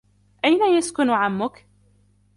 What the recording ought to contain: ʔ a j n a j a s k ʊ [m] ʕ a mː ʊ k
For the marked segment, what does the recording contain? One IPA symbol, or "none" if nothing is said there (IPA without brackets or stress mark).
n